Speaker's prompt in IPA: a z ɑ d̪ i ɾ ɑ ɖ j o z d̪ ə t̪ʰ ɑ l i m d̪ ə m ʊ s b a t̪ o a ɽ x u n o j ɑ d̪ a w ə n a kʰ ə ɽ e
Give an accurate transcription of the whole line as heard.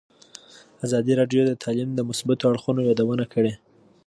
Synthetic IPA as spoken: a z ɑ d̪ i ɾ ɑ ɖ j o d̪ ə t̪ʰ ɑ l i m d̪ ə m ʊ s b a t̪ o a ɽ x u n o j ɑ d̪ a w ə n a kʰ ə ɽ e